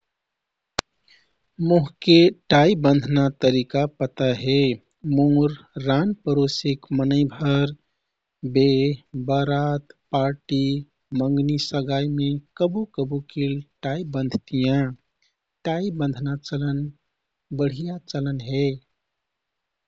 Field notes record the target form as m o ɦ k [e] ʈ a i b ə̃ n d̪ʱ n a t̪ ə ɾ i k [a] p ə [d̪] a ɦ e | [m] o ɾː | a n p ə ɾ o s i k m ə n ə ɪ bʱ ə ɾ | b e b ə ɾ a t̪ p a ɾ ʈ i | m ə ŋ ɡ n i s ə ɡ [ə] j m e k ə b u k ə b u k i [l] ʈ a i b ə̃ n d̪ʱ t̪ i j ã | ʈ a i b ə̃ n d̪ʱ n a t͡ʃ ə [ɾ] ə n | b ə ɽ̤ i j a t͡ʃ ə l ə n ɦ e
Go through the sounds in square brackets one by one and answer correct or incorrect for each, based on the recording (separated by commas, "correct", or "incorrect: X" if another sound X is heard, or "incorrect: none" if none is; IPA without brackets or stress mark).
correct, correct, incorrect: t̪, correct, incorrect: a, correct, incorrect: l